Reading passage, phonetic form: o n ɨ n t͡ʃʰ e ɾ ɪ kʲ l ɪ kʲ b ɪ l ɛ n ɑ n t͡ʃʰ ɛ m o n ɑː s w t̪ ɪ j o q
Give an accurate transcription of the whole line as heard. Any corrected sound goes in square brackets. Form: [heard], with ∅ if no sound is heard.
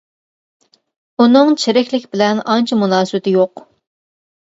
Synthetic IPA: [u] n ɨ [ŋ] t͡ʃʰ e ɾ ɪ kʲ l ɪ kʲ b ɪ l ɛ n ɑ n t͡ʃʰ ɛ m [u] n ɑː s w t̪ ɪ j o q